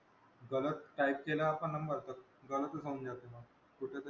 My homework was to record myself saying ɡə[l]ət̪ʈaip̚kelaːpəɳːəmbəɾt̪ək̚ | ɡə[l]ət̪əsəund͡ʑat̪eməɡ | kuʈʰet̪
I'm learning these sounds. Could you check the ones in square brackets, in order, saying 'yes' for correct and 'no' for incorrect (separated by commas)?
yes, yes